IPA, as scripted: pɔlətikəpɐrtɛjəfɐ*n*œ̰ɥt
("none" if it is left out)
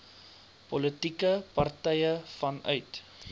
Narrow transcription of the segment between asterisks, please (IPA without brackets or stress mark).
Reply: n